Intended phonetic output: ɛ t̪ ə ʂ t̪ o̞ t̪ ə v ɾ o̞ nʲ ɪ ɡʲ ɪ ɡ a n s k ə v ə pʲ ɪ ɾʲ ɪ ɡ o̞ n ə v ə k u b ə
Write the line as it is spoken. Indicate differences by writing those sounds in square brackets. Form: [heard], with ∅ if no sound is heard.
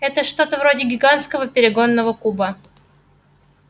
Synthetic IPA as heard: ɛ t̪ ə ʂ t̪ o̞ t̪ ə v ɾ o̞ [dʲ] ɪ ɡʲ ɪ ɡ a n s k ə v ə pʲ ɪ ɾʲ ɪ ɡ o̞ [nː] ə v ə k u b ə